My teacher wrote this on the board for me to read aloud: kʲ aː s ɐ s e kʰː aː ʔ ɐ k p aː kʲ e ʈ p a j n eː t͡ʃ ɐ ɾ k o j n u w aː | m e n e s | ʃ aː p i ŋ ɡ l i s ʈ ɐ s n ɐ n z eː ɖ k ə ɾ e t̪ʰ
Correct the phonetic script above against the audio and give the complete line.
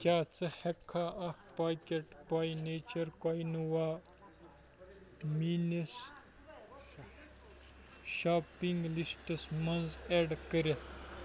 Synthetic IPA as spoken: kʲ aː t͡s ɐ h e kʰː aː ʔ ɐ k p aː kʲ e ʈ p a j n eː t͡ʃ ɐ ɾ k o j n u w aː | m i n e s | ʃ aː p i ŋ ɡ l i s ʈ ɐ s m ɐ n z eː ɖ k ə ɾ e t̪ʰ